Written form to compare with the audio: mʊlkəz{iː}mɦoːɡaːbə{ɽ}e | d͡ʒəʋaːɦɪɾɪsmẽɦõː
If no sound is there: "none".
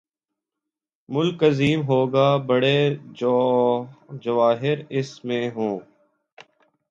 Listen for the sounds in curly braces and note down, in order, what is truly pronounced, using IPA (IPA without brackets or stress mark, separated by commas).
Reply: iː, ɽ